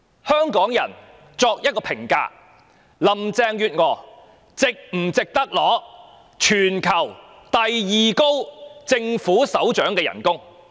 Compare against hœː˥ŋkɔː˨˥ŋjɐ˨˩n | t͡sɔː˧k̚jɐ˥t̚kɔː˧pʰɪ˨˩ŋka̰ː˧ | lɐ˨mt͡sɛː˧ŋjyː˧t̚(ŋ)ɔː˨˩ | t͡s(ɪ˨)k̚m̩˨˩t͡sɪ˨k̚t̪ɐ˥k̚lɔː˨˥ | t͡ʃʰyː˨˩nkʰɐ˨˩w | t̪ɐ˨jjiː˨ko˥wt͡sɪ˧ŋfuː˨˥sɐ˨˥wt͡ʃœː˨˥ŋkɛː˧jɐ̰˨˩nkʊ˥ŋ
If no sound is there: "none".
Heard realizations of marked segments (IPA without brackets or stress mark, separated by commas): ŋ, ɪ˨